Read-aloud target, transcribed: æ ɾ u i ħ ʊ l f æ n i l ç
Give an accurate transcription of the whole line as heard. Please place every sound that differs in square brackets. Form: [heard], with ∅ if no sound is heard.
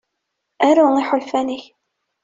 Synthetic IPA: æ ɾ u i ħ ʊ l f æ n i [∅] ç